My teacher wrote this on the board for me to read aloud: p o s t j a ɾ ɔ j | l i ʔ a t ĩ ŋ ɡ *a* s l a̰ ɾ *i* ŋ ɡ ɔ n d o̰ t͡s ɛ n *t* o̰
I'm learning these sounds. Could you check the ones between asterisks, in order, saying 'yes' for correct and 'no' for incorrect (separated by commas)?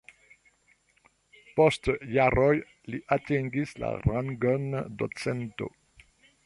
no, no, yes